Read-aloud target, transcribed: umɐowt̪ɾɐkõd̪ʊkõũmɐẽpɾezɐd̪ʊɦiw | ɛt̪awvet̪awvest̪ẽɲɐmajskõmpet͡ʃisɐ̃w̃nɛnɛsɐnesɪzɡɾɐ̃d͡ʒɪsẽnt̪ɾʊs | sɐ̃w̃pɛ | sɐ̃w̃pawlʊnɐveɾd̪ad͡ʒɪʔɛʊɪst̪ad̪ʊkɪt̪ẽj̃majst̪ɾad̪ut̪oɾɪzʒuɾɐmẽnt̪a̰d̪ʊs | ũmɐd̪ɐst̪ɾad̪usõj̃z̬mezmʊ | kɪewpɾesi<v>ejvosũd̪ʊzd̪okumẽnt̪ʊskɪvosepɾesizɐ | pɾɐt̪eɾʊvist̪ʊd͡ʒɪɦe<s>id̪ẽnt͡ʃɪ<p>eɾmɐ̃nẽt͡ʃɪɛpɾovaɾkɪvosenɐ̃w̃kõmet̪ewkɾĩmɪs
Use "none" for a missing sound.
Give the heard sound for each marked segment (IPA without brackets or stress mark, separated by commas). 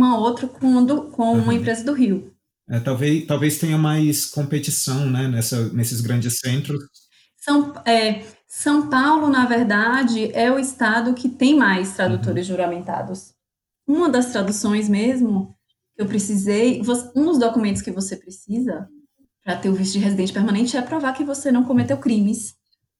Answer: z, z, p